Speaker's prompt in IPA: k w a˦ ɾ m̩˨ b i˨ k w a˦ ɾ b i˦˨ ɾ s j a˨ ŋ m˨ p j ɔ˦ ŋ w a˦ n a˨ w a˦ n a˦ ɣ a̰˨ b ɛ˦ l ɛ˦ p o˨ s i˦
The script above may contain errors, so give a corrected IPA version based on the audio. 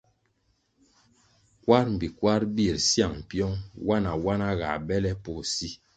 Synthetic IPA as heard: k w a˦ ɾ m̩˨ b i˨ k w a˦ ɾ b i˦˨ ɾ s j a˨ ŋ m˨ p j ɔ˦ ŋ w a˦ n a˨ w a˦ n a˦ ɣ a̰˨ b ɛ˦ l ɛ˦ p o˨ s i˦